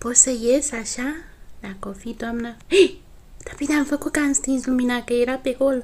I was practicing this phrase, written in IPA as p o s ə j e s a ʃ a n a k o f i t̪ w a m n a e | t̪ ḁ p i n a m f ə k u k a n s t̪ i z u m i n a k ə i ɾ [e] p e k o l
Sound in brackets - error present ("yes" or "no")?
yes